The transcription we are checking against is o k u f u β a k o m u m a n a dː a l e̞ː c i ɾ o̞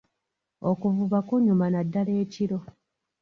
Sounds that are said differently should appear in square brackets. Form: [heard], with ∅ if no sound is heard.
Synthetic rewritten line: o k u [v] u β a k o [ɲ] u m a n a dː a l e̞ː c i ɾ o̞

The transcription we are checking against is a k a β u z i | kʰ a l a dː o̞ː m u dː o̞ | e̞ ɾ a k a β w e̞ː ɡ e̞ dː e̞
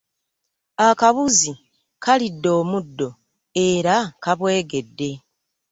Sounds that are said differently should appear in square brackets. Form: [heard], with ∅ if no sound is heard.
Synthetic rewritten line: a k a β u z i | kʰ a l [i] dː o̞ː m u dː o̞ | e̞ ɾ a k a β w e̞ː ɡ e̞ dː e̞

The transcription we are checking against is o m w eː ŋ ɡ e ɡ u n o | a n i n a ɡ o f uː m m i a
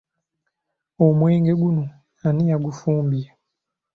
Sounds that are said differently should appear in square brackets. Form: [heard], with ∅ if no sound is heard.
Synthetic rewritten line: o m w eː ŋ ɡ e ɡ u n o | a n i [∅] a ɡ [u] f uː m [b] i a

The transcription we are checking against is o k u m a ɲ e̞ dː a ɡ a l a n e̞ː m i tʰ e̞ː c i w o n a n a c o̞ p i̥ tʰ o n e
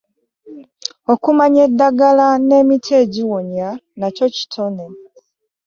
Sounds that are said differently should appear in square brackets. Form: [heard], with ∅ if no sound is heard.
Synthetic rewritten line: o k u m a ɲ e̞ dː a ɡ a l a n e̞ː m i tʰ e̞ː [ɟ] i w o [ɲ] a n a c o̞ [c] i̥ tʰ o n e

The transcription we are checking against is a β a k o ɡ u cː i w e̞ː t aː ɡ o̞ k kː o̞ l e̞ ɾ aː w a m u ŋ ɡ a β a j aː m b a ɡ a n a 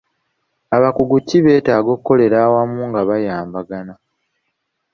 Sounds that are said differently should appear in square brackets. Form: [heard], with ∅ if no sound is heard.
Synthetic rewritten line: a β a k [u] ɡ u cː i [β] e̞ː t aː ɡ o̞ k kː o̞ l e̞ ɾ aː w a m u ŋ ɡ a β a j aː m b a ɡ a n a

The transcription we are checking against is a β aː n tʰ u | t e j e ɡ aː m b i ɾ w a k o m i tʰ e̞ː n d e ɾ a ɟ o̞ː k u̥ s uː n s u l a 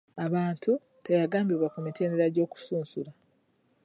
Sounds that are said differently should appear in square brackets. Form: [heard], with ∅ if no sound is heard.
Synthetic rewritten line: a β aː n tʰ u | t e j [a] ɡ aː m b i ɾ w a k [u] m i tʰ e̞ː n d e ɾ a ɟ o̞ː k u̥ s uː n s u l a

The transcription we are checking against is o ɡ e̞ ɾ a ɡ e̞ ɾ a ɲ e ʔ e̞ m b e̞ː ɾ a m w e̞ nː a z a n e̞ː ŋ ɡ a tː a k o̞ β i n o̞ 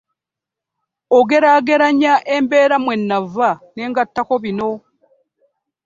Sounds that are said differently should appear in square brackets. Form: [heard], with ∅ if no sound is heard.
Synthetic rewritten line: o ɡ e̞ ɾ a ɡ e̞ ɾ a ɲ [a] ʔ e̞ m b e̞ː ɾ a m w e̞ nː a [v] a n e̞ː ŋ ɡ a tː a k o̞ β i n o̞

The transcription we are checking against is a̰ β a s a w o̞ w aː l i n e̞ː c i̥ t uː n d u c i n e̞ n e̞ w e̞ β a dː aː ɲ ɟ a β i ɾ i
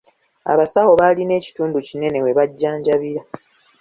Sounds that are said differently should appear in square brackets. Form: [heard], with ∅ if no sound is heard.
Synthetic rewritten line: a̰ β a s a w o̞ [β] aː l i n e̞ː c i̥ t uː n d u c i n e̞ n e̞ w e̞ β a [ɟː] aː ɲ ɟ a β i ɾ [a]

